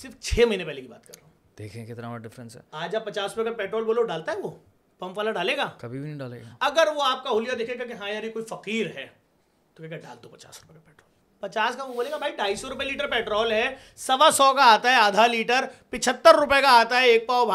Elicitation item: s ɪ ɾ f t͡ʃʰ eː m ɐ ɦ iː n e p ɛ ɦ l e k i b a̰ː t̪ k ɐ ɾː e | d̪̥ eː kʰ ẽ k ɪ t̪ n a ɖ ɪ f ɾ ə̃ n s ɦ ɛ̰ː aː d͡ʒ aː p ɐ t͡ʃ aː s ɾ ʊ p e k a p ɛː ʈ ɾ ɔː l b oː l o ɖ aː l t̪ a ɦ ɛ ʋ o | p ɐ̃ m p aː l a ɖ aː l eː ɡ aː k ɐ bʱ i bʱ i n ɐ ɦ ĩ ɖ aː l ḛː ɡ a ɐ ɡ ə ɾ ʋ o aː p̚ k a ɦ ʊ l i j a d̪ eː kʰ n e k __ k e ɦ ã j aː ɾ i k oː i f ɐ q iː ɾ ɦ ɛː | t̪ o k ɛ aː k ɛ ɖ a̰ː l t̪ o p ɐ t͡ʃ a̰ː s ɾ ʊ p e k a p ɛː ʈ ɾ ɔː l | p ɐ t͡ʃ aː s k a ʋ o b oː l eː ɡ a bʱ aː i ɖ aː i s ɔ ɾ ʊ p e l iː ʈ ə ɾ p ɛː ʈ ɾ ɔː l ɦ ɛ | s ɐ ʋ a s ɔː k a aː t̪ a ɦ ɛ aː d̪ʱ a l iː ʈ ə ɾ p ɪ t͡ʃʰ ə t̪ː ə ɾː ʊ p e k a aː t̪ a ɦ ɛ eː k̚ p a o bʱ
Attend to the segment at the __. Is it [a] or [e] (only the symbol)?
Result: a